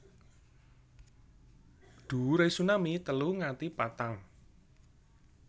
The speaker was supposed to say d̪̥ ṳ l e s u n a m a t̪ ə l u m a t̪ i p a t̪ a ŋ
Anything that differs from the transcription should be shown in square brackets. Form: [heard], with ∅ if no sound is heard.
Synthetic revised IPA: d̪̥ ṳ [ɾ] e s u n a m [i] t̪ ə l u [ŋ] a t̪ i p a t̪ a ŋ